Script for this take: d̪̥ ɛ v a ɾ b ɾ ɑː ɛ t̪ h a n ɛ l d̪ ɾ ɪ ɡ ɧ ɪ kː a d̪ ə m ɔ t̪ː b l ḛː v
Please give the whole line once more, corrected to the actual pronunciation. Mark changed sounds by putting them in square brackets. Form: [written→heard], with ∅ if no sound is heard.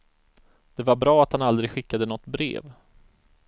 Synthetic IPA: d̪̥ ɛ v a ɾ b ɾ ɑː [ɛ→a] t̪ h a n [ɛ→a] l d̪ ɾ ɪ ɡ ɧ ɪ kː a d̪ ə [m→n] ɔ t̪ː b [l→ɾ] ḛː v